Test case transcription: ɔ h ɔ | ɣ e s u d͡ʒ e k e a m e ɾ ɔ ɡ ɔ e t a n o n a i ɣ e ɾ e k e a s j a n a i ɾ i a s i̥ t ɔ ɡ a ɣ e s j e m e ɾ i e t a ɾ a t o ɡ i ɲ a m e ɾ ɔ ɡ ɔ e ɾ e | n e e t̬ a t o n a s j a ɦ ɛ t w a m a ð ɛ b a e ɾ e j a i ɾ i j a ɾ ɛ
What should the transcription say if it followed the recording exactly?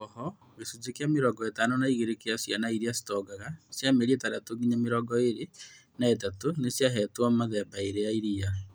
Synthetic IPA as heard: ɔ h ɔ | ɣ e s u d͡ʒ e k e a m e ɾ ɔ ɡ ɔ e t a n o n a i ɣ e ɾ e k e a s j a n a i ɾ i a s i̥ t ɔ ɡ a ɣ a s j a m e ɾ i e t a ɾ a t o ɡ i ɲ a m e ɾ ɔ ɡ ɔ e ɾ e | n a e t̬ a t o n e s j a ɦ ɛ t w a m a ð ɛ b a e ɾ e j a i ɾ i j a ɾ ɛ